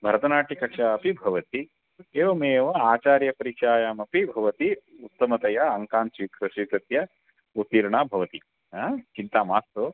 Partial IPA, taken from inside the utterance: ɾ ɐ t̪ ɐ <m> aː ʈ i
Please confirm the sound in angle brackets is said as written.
no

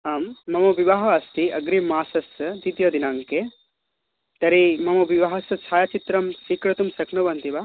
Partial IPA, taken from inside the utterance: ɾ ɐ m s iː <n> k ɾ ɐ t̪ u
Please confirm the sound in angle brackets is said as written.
no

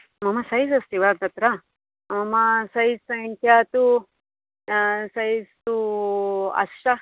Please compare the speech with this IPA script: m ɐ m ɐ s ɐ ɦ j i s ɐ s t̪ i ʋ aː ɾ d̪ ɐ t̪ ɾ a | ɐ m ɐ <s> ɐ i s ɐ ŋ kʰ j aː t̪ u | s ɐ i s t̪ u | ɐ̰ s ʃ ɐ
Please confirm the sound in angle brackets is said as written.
yes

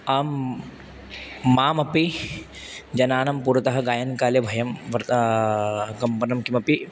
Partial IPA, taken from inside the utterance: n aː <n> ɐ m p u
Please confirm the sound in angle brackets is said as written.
yes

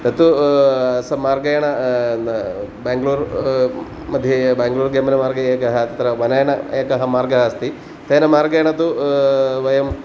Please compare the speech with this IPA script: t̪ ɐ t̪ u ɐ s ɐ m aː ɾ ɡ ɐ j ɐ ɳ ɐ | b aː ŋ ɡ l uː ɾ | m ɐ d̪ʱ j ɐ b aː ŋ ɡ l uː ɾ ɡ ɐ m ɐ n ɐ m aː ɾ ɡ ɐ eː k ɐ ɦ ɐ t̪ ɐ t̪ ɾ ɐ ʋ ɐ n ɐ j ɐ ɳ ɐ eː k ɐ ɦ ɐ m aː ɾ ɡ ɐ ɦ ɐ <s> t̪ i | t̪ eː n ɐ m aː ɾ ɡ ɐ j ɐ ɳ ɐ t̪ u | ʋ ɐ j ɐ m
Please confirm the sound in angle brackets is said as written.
yes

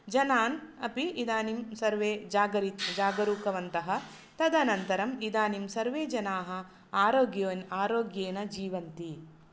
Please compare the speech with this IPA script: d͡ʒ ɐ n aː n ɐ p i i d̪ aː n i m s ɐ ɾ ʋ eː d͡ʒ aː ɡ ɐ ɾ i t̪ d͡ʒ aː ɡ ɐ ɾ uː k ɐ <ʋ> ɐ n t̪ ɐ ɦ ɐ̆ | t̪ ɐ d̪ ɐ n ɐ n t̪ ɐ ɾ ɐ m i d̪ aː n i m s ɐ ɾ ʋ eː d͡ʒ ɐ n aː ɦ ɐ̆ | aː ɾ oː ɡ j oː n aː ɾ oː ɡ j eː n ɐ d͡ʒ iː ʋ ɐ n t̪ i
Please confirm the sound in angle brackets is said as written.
yes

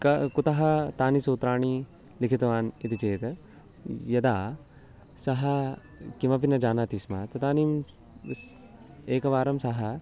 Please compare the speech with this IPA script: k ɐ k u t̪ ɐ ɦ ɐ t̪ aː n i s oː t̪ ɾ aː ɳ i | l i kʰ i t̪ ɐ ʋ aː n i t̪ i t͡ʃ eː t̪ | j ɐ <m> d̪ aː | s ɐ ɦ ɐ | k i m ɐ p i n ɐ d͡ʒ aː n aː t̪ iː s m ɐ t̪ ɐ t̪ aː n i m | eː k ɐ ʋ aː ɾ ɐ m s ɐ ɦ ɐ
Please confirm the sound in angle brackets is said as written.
no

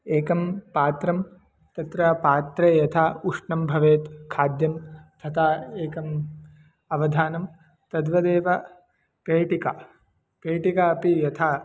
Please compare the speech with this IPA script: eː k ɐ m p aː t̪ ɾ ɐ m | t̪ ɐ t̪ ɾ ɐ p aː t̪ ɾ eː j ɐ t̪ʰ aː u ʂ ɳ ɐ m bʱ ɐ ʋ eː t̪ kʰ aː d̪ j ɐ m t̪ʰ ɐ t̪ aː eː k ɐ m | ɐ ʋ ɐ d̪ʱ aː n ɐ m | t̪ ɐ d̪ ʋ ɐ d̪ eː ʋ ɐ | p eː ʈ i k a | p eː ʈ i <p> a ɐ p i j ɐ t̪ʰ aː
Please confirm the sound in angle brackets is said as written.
no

